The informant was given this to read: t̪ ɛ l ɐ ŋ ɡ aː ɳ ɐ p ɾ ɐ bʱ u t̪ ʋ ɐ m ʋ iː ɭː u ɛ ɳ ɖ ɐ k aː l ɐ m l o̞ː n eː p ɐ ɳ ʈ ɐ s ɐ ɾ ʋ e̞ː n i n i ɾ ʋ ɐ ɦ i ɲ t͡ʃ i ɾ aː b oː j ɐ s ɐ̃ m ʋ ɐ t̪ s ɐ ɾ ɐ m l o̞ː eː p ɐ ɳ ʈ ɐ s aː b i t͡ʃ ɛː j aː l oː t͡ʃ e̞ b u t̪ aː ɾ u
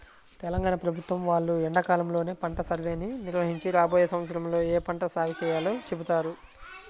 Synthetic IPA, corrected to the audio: t̪ ɛ l ɐ ŋ ɡ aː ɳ ɐ p ɾ ɐ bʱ u t̪ ʋ ɐ m ʋ aː ɭː u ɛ ɳ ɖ ɐ k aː l ɐ m l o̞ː n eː p ɐ ɳ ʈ ɐ s ɐ ɾ ʋ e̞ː n i n i ɾ ʋ ɐ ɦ i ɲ t͡ʃ i ɾ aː b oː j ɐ s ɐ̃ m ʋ ɐ t̪ s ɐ ɾ ɐ m l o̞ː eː p ɐ ɳ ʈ ɐ s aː ɡ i t͡ʃ ɛː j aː l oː t͡ʃ e̞ b u t̪ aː ɾ u